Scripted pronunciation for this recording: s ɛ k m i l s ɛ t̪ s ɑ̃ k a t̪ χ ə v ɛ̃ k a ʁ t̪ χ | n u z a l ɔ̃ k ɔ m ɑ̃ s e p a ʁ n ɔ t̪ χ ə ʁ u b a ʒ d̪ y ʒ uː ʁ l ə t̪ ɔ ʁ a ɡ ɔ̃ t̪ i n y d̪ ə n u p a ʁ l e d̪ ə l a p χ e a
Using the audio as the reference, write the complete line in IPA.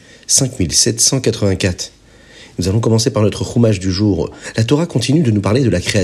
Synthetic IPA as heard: s ɛ̃ k m i l s ɛ t̪ s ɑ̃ k a t̪ χ ə v ɛ̃ k a t̪ χ | n u z a l ɔ̃ k ɔ m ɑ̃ s e p a ʁ n ɔ t̪ χ ə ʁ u m a ʒ d̪ y ʒ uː ʁ l a t̪ ɔ ʁ a k ɔ̃ t̪ i n y d̪ ə n u p a ʁ l e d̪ ə l a k χ e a